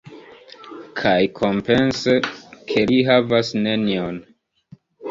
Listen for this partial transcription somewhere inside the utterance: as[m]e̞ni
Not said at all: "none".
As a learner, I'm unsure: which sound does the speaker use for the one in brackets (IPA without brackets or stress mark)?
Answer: n